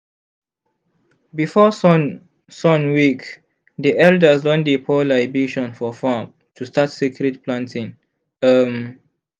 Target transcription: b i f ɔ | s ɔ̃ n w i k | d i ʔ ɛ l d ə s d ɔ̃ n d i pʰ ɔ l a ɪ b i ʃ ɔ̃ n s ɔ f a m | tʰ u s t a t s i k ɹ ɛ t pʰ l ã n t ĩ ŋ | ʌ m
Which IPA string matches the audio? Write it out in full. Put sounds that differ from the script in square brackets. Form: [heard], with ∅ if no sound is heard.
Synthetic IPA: b i f ɔ | s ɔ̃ n w i k | d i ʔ ɛ l d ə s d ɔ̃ n d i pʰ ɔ l a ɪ b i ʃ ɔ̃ n [f] ɔ f a m | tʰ u s t a t s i k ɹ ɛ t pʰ l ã n t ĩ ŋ | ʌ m